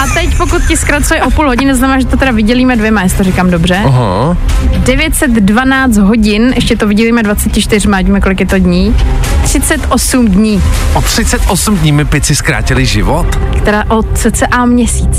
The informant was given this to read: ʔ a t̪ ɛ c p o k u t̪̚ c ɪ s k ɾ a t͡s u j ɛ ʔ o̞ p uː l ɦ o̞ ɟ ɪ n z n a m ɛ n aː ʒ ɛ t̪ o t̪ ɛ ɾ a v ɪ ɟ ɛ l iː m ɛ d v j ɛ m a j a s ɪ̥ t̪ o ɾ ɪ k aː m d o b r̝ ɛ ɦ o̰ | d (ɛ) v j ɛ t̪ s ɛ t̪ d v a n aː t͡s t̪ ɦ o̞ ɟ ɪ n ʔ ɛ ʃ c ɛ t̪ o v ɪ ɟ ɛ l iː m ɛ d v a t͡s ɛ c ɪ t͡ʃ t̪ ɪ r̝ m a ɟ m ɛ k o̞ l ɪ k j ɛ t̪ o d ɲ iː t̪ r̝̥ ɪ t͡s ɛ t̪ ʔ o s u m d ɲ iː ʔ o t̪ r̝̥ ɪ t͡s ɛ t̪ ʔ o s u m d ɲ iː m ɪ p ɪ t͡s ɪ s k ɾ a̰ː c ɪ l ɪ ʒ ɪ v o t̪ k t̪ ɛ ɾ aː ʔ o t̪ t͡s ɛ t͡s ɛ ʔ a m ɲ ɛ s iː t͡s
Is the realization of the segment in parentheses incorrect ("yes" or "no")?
no